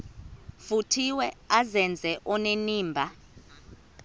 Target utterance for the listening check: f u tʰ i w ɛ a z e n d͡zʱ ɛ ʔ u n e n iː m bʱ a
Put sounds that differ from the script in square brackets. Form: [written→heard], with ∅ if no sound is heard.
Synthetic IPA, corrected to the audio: f u tʰ i w ɛ a z [e→ɛ] n d͡zʱ ɛ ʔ [u→ɔ] n e n iː m bʱ a